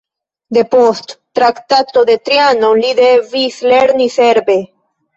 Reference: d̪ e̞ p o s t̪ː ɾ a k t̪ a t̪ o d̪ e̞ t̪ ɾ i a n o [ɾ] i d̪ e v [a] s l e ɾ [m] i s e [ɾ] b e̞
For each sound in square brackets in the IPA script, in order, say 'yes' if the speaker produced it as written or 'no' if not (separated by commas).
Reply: no, no, no, yes